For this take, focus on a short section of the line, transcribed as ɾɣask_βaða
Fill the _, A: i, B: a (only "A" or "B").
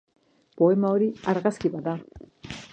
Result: A